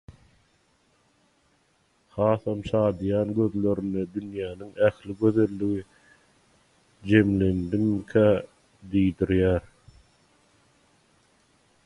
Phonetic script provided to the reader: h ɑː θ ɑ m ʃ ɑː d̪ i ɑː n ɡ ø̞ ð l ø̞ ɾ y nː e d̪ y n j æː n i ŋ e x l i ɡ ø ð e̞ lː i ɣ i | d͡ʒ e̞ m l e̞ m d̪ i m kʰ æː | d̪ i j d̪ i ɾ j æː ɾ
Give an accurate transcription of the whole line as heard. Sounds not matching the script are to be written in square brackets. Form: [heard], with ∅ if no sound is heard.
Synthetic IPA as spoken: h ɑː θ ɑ m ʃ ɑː d̪ [j] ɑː n ɡ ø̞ ð l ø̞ ɾ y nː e d̪ y n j æː n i ŋ [æ] x l i ɡ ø ð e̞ lː i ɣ i | d͡ʒ e̞ m l e̞ [n] d̪ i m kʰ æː | d̪ i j d̪ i ɾ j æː ɾ